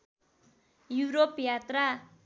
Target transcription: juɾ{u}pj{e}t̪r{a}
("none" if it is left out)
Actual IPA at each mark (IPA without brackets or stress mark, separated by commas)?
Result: o, a, a